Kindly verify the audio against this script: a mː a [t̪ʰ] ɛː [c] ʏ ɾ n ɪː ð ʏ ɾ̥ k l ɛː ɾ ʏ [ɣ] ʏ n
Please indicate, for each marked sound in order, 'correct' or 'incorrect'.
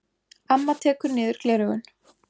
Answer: correct, incorrect, correct

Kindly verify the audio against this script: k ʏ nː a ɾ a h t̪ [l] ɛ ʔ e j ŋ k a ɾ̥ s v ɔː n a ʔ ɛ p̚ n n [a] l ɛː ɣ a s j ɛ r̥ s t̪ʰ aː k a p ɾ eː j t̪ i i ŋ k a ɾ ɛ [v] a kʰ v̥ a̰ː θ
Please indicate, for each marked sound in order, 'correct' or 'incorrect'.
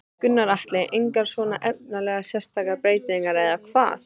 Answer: correct, correct, incorrect

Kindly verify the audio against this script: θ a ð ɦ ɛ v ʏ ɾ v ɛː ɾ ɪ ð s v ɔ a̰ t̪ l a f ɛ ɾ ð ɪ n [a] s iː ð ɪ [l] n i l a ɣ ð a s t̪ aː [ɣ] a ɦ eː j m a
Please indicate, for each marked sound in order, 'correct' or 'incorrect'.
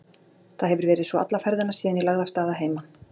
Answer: correct, incorrect, incorrect

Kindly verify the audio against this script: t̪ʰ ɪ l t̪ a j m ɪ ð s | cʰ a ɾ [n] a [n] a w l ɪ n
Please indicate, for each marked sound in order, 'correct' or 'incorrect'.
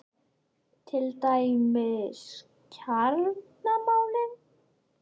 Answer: correct, incorrect

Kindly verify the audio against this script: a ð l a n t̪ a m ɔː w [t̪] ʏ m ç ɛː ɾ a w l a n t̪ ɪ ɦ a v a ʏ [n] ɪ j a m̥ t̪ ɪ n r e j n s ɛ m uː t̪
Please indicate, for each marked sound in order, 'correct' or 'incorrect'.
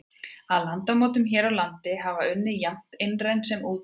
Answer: correct, incorrect

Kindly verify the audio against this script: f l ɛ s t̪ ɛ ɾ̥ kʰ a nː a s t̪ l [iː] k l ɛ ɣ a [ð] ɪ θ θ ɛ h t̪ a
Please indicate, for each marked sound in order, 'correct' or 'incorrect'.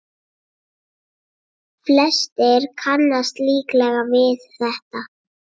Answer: correct, incorrect

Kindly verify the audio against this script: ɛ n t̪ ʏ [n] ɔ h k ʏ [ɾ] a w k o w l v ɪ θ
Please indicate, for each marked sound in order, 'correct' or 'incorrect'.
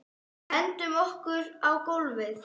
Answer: incorrect, correct

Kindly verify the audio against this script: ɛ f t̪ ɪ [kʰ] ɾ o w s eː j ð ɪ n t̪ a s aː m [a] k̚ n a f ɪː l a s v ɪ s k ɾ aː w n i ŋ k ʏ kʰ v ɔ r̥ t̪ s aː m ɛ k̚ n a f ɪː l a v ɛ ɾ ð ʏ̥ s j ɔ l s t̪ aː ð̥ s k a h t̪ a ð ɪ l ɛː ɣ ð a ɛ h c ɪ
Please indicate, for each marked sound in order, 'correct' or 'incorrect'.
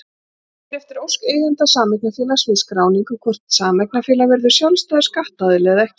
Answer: incorrect, incorrect

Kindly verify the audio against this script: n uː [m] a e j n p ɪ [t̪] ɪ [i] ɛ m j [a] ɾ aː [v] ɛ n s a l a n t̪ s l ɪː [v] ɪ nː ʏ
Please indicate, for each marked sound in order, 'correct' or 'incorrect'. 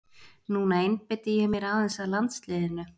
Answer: incorrect, correct, incorrect, incorrect, incorrect, incorrect

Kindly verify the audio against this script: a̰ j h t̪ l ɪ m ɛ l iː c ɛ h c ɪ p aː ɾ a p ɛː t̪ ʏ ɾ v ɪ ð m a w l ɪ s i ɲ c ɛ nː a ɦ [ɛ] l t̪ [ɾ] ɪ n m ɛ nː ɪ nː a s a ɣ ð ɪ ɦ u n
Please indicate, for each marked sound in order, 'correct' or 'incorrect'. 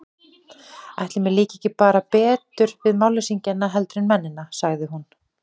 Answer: correct, correct

